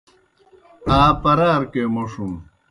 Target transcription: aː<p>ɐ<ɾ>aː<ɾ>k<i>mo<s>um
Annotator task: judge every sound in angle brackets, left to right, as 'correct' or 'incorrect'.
correct, correct, correct, incorrect: e, incorrect: ʂ

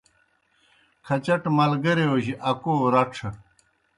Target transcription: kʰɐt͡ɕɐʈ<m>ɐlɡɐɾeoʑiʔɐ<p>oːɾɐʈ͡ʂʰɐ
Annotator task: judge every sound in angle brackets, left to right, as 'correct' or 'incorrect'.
correct, incorrect: k

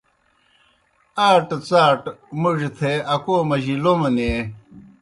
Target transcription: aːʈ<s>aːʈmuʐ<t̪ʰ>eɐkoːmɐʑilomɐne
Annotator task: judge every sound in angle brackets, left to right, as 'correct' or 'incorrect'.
incorrect: t͡s, correct

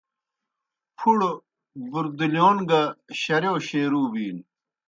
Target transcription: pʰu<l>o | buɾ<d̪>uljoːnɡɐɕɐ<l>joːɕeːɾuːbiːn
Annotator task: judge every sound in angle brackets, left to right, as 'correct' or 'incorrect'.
incorrect: ɽ, correct, incorrect: ɾ

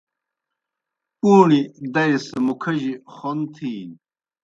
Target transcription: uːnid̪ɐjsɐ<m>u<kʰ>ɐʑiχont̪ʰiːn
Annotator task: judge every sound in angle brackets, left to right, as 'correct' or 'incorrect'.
correct, correct

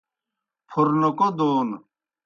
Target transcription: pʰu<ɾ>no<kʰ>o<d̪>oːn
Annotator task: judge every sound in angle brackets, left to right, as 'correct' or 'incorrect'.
correct, incorrect: k, correct

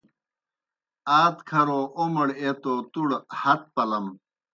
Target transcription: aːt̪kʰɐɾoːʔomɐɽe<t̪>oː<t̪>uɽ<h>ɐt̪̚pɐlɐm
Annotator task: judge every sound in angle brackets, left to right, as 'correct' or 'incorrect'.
correct, correct, correct

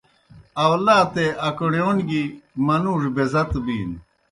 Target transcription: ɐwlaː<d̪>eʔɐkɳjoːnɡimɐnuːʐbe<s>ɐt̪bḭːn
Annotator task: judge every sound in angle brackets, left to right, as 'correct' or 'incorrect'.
incorrect: t̪, incorrect: z

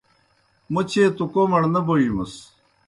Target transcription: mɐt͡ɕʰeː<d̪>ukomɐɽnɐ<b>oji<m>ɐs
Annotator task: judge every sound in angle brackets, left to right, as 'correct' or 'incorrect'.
incorrect: t̪, correct, correct

